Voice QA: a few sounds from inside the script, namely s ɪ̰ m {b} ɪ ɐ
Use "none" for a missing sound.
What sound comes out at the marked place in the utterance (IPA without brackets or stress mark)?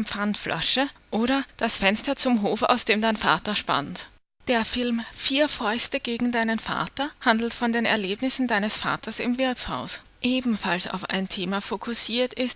v